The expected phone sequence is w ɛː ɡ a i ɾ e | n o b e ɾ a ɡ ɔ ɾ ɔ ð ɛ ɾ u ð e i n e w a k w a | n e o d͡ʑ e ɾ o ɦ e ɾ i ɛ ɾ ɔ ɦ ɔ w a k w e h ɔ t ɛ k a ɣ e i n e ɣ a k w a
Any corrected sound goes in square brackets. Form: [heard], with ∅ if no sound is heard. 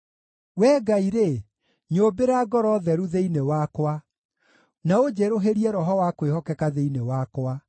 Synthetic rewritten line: w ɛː ɡ a i ɾ e | [ɲ] o b e ɾ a ɡ ɔ ɾ ɔ ð ɛ ɾ u ð e i n e w a k w a | n [a] o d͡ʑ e ɾ o ɦ e ɾ i ɛ ɾ ɔ ɦ ɔ w a k w e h ɔ [k] ɛ k a [ð] e i n e [w] a k w a